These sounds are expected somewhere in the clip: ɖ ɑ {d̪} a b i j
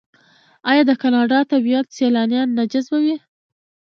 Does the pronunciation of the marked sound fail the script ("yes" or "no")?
yes